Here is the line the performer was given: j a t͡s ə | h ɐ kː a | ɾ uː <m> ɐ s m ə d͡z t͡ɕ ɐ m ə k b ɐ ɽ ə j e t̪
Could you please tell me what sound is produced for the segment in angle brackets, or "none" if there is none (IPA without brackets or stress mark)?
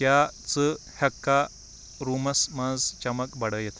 m